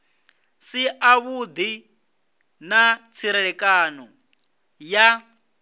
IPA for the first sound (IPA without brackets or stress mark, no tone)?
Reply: s